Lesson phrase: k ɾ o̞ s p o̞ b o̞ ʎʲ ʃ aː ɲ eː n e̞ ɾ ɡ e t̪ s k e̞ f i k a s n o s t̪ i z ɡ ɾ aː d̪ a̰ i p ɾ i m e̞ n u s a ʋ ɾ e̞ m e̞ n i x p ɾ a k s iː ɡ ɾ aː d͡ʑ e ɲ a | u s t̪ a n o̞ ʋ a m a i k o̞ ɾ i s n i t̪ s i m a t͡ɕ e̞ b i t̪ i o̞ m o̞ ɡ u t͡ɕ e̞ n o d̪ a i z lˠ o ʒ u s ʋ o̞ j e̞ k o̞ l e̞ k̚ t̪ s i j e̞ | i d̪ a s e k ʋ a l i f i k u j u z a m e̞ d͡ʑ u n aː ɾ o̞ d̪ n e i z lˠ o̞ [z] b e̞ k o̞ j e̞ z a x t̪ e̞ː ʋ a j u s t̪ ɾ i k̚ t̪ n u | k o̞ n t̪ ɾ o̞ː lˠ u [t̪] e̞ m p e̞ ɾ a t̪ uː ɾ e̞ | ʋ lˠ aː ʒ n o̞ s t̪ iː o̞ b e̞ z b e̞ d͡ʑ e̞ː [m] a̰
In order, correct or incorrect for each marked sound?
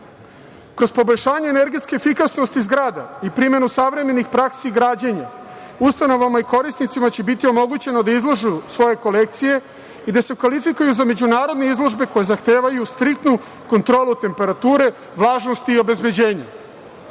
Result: incorrect: ʒ, correct, incorrect: ɲ

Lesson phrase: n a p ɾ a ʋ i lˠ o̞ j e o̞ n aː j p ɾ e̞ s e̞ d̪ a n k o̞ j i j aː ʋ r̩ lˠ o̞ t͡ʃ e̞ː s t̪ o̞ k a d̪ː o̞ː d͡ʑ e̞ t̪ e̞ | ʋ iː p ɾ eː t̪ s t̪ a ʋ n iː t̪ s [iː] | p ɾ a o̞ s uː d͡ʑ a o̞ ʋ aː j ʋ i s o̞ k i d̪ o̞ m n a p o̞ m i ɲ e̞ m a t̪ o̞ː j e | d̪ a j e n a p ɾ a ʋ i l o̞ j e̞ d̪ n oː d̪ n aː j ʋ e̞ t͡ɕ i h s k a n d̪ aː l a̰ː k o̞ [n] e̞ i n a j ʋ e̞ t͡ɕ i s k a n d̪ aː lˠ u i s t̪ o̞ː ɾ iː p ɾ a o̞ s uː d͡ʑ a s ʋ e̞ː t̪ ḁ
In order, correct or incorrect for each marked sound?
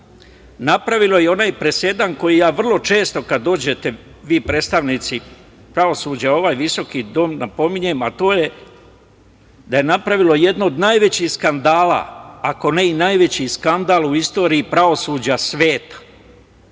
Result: incorrect: i, correct

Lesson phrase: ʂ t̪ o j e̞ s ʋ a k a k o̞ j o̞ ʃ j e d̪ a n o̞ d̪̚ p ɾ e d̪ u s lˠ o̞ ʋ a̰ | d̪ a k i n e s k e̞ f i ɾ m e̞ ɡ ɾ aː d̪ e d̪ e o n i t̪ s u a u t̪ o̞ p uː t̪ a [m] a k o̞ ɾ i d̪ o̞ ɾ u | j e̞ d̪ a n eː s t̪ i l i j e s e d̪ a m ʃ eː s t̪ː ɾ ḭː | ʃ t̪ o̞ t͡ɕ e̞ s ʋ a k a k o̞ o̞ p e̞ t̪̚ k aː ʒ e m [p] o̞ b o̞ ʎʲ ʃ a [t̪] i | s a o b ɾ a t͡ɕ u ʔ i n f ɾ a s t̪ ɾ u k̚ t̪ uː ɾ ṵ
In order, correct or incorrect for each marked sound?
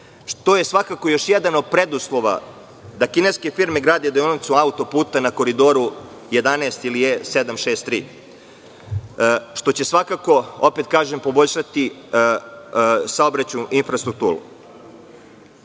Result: incorrect: n, correct, correct

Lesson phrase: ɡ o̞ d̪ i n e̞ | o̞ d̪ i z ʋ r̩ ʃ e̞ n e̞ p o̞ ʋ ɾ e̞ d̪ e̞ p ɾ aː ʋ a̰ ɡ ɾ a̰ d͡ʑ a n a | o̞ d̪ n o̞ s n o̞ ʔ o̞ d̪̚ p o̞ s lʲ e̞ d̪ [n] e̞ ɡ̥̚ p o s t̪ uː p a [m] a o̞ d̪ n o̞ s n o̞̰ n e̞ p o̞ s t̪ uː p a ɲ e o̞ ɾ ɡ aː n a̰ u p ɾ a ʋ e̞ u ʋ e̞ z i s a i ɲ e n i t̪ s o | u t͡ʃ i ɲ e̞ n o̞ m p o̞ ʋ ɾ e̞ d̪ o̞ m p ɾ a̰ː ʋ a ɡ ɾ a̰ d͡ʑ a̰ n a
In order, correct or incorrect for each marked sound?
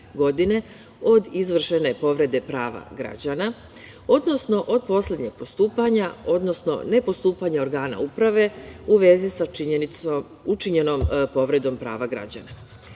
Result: incorrect: ɲ, incorrect: ɲ

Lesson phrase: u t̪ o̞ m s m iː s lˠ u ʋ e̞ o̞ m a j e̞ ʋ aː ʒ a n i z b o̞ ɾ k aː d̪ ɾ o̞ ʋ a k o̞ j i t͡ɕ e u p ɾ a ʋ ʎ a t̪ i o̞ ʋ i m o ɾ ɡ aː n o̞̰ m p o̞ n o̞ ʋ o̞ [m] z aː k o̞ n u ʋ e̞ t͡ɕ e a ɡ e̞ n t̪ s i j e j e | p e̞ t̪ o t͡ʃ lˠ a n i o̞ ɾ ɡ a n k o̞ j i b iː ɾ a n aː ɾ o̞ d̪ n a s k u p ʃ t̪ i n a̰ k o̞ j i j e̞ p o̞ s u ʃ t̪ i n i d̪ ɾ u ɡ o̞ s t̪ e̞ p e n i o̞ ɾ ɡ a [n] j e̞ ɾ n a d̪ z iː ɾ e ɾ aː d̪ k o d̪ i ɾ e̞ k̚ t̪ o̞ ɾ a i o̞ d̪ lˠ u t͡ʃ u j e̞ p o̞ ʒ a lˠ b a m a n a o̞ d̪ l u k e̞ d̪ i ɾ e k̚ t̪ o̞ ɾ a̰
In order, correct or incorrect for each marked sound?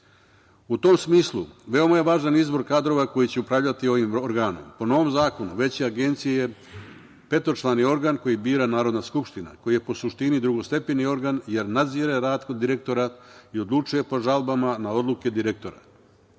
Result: correct, correct

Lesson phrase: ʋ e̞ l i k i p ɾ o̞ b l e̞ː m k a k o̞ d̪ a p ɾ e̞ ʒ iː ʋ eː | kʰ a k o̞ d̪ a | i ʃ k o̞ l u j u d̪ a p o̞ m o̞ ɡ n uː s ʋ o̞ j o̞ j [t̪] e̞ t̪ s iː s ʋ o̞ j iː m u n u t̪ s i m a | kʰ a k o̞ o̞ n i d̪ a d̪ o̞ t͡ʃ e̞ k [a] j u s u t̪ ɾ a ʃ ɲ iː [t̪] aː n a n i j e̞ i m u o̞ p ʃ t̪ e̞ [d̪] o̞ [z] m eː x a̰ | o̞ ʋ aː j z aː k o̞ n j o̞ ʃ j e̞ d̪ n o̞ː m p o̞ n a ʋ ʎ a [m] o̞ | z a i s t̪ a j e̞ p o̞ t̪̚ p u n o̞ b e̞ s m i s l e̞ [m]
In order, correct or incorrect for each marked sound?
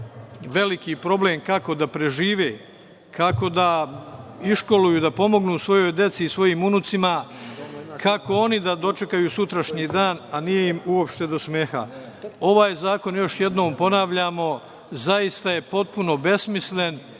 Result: incorrect: d̪, correct, incorrect: d̪, correct, incorrect: s, correct, incorrect: n

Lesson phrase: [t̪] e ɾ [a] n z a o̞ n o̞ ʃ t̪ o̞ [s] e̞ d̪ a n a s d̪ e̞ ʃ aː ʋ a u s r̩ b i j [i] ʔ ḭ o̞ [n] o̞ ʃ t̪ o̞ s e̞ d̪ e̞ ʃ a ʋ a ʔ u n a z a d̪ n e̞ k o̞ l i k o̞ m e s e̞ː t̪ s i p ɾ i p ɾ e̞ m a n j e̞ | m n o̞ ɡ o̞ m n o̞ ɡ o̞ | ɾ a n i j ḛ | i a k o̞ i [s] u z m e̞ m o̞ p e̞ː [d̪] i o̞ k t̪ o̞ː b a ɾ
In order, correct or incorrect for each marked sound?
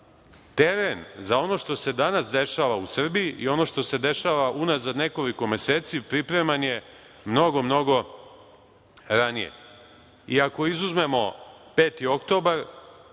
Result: correct, incorrect: e, correct, correct, correct, incorrect: z, incorrect: t̪

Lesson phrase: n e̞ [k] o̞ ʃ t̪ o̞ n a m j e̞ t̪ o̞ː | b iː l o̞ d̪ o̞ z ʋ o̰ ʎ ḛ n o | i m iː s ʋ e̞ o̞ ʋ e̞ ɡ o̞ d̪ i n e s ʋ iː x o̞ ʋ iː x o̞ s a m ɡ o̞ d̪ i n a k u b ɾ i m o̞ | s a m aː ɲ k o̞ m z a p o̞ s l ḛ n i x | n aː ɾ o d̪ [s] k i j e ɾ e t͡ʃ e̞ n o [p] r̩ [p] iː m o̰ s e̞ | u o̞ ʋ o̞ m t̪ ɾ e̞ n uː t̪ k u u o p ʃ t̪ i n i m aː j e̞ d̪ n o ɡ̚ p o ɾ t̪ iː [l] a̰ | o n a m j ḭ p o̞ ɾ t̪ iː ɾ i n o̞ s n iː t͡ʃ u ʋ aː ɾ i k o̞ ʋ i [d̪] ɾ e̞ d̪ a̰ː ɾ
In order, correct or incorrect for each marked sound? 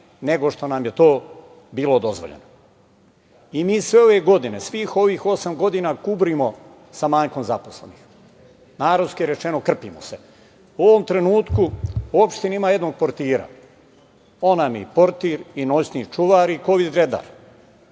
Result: incorrect: ɡ, correct, incorrect: k, correct, incorrect: ɾ, correct

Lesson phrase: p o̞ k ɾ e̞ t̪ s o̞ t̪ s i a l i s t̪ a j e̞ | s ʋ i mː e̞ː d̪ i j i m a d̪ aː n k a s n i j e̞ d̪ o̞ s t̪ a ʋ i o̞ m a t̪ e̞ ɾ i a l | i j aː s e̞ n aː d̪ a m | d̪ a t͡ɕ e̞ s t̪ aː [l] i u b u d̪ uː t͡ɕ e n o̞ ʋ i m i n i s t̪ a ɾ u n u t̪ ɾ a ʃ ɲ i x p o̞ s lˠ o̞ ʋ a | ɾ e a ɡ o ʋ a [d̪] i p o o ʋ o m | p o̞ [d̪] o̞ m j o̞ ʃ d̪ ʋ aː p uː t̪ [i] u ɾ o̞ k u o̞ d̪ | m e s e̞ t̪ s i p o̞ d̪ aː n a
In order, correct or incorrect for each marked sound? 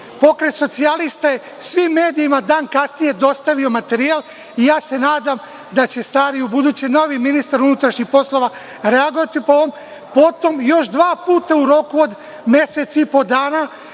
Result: incorrect: ɾ, incorrect: t̪, incorrect: t̪, incorrect: a

